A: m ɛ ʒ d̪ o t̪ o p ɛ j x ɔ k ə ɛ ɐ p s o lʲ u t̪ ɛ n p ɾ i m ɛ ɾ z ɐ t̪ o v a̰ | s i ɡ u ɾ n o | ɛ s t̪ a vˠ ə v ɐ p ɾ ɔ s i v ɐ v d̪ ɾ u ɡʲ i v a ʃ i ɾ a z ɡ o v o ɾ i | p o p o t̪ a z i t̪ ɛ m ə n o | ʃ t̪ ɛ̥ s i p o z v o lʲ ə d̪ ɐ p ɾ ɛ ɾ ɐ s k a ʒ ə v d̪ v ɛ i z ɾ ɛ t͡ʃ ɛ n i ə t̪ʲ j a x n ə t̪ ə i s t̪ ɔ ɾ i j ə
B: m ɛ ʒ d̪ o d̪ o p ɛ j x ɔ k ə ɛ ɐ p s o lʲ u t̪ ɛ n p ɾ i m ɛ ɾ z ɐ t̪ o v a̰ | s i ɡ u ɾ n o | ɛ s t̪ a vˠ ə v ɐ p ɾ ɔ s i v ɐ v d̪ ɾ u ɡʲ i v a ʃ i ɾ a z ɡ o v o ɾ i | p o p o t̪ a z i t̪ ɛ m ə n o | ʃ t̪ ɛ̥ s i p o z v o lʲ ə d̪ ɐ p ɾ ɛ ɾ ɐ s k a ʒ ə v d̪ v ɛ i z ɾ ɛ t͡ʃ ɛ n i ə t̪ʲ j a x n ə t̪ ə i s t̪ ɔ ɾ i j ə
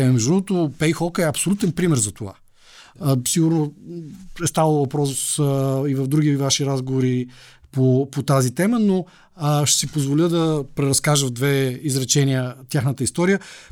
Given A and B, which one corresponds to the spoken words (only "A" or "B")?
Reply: A